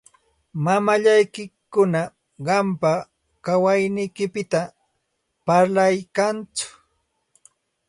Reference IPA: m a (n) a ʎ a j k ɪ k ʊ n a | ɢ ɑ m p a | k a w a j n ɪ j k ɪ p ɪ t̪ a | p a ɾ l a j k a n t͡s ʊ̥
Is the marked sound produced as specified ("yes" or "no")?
no